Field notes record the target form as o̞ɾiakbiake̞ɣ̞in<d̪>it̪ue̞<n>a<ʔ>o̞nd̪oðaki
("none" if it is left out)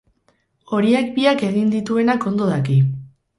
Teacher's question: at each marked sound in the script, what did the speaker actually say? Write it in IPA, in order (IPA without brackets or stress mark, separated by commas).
d̪, n, k